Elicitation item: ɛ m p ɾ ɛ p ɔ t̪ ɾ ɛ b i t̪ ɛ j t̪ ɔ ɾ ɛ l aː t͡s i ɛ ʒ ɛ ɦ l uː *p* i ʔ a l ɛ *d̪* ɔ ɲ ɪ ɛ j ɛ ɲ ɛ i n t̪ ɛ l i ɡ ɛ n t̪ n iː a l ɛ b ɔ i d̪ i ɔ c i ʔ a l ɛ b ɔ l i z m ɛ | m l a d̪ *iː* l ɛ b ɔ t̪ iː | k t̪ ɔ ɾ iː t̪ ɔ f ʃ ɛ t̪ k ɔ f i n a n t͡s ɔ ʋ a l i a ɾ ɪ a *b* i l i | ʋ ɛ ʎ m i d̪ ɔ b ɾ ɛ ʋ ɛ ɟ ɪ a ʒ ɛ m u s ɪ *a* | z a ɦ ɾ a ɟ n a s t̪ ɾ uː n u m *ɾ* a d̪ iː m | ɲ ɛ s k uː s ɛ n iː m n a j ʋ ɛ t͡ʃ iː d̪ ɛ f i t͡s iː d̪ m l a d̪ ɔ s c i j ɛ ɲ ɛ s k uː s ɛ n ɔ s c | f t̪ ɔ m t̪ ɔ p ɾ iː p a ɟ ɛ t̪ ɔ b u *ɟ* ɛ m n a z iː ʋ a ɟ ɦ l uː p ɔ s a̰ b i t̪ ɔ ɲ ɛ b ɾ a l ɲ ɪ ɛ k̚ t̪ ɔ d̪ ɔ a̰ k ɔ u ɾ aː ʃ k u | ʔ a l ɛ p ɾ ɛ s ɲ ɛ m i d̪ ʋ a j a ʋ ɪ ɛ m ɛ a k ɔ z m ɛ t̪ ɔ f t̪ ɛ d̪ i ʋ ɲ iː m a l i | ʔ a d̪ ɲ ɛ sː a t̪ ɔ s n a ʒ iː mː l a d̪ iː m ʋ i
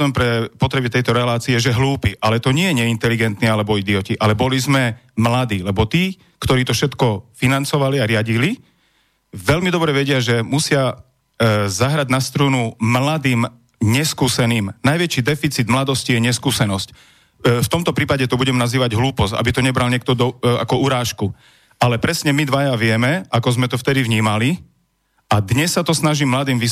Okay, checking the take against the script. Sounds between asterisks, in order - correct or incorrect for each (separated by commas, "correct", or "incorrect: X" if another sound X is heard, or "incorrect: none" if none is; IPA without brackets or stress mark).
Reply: correct, incorrect: t̪, correct, incorrect: ɟ, correct, incorrect: l, correct